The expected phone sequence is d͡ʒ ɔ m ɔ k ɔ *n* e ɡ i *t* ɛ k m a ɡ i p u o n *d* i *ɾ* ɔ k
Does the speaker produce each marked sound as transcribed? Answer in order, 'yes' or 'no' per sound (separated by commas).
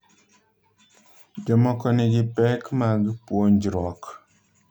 yes, no, no, yes